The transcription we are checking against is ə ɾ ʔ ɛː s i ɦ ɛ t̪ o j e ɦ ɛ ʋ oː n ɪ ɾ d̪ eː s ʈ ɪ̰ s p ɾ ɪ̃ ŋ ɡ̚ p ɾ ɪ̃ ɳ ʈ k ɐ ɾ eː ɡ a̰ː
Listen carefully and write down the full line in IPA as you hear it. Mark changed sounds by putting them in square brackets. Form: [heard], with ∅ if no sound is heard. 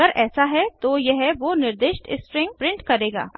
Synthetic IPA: ə ɾ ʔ ɛː s [a] ɦ ɛ t̪ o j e ɦ ɛ ʋ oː n ɪ ɾ d̪ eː [ʃ] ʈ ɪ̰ s p ɾ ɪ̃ ŋ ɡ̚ p ɾ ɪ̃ ɳ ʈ k ɐ ɾ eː ɡ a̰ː